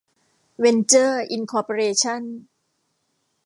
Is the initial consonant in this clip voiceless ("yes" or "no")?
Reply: no